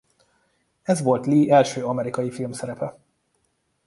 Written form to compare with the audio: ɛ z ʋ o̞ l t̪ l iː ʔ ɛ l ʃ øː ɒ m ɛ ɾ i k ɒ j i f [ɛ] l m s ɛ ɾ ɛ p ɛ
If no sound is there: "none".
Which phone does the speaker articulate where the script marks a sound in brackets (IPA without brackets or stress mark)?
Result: i